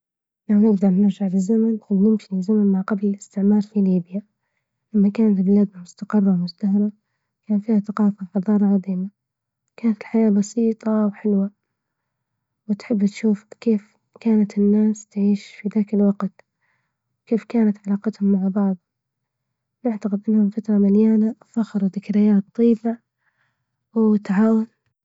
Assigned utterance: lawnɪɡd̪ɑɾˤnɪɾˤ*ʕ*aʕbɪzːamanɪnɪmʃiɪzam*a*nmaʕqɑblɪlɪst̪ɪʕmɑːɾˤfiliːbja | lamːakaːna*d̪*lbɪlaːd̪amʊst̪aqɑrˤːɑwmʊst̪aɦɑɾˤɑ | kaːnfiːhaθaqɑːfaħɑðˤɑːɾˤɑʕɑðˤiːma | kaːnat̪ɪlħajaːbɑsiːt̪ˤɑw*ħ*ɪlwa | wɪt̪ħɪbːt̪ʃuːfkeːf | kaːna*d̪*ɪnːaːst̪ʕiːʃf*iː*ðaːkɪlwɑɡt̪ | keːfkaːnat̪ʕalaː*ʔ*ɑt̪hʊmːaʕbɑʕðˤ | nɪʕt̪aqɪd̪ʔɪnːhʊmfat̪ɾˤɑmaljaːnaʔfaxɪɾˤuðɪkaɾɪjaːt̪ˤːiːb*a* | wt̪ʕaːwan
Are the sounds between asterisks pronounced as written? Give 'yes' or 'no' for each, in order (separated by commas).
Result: no, yes, no, yes, no, no, no, yes